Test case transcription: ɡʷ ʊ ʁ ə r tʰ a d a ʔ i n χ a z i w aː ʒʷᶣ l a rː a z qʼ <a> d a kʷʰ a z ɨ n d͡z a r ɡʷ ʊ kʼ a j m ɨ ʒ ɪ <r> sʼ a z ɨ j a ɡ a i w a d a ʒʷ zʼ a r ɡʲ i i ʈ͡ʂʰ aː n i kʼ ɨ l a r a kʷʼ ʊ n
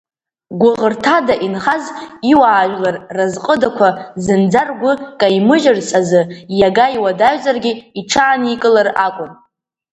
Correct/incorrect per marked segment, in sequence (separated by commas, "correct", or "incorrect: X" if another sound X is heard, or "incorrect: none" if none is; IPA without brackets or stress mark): incorrect: ə, correct